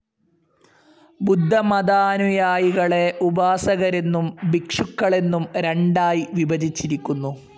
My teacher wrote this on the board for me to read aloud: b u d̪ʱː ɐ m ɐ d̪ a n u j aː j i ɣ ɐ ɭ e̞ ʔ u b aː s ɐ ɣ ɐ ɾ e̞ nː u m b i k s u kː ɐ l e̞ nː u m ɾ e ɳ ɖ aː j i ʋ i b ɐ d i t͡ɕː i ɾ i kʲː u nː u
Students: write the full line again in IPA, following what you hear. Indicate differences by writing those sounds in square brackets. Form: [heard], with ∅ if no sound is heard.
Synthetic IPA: b u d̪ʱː ɐ m ɐ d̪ a n u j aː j i ɣ ɐ ɭ e̞ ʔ u b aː s ɐ ɣ ɐ ɾ e̞ nː u m b i k [ʂ] u kː ɐ [ɭ] e̞ nː u m ɾ e ɳ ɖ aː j i ʋ i b ɐ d i t͡ɕː i ɾ i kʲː u nː u